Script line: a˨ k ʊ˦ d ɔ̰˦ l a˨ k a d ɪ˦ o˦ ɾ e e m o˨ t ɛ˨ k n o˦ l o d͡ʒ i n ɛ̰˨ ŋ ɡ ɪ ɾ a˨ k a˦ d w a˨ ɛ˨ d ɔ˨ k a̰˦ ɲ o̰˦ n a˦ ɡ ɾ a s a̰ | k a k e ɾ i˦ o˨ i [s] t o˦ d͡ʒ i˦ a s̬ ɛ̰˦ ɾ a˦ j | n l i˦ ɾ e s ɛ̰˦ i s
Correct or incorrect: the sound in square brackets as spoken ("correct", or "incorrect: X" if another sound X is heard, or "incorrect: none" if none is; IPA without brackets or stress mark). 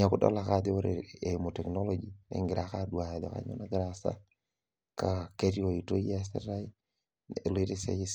incorrect: none